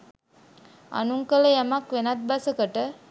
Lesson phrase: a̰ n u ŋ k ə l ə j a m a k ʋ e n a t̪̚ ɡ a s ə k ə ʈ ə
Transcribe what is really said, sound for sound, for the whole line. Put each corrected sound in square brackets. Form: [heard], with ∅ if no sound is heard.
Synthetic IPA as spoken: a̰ n u ŋ k ə l ə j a m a k ʋ e n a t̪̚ [b] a s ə k ə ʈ ə

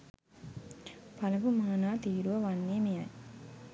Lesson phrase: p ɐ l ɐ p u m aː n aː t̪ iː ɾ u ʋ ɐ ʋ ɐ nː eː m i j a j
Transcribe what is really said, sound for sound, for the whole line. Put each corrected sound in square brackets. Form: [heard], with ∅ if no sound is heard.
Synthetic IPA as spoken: p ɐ l ɐ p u m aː n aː t̪ iː ɾ u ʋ ɐ ʋ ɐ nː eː m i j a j

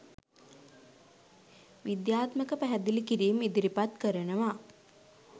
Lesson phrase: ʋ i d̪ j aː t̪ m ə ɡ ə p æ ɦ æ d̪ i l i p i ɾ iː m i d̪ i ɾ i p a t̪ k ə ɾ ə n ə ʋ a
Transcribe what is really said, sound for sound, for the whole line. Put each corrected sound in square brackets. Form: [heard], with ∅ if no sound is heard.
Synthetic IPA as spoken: ʋ i d̪ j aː t̪ m ə [k] ə p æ ɦ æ d̪ i l i [k] i ɾ iː m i d̪ i ɾ i p a t̪ k ə ɾ ə n ə ʋ a

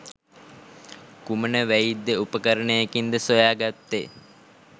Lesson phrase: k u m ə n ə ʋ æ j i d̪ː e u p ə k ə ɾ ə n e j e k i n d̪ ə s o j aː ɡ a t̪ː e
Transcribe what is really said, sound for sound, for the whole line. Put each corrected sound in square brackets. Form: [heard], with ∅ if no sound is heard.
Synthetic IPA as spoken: k u m ə n ə ʋ æ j i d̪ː e u p ə k ə ɾ ə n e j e k i n d̪ ə s o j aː ɡ a t̪ː e

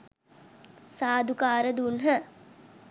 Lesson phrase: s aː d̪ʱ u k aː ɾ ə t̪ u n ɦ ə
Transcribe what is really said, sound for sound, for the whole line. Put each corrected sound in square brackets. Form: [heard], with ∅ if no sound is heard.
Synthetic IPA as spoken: s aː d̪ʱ u k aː ɾ ə [d̪] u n ɦ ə

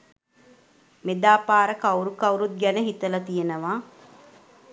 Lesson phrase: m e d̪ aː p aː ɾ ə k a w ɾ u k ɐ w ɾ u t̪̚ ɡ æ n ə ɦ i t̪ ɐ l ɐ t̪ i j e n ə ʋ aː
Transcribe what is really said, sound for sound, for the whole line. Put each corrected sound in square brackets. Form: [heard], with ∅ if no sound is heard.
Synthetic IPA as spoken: m e d̪ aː p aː ɾ ə k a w ɾ u k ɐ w ɾ u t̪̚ ɡ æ n ə ɦ i t̪ [ə] l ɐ t̪ i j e n ə ʋ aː

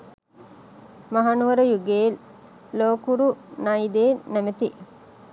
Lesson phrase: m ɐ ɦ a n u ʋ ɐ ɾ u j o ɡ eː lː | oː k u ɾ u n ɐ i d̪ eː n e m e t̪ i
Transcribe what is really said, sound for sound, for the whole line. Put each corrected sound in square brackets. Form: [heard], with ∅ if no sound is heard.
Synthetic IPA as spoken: m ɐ ɦ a n u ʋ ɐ ɾ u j [u] ɡ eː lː | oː k u ɾ u n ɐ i d̪ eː n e m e t̪ i

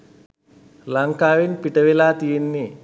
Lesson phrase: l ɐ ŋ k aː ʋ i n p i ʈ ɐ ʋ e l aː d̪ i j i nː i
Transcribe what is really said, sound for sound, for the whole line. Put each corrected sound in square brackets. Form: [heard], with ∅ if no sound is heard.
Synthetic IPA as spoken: l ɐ ŋ k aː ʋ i n p i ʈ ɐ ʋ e l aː [t̪] i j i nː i

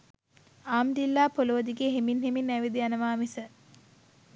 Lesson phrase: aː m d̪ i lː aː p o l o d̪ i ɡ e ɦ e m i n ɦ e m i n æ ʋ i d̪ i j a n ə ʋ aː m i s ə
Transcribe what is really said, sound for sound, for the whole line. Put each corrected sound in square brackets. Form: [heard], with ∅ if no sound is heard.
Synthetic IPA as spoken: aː m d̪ i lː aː p o l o d̪ i ɡ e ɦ e m i n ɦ e m i n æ ʋ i d̪ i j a n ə ʋ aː m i s ə

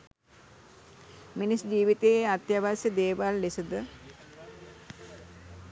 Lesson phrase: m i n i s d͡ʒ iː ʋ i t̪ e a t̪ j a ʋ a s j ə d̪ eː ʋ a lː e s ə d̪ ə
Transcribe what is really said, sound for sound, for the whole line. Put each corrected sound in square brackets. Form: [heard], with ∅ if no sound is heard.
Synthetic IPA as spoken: m i n i s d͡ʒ iː ʋ i t̪ e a t̪ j a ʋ a s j ə d̪ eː ʋ a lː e s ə d̪ ə

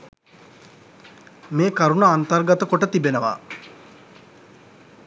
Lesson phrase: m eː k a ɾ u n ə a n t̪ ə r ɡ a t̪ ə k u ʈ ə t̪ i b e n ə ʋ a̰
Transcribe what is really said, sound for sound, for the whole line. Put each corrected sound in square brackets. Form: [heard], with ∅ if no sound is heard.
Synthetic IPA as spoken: m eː k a ɾ u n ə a n t̪ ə r ɡ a t̪ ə k [o] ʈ ə t̪ i b e n ə ʋ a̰

